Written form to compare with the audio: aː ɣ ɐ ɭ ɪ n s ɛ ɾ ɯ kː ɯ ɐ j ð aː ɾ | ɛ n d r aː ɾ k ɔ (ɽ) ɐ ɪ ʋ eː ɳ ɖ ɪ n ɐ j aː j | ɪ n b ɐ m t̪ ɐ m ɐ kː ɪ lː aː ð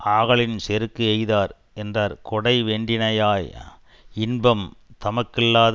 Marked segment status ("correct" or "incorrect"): correct